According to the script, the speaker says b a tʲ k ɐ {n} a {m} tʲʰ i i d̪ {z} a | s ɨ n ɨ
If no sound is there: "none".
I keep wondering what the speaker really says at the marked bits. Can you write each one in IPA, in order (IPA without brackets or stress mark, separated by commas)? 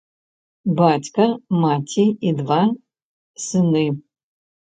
m, none, v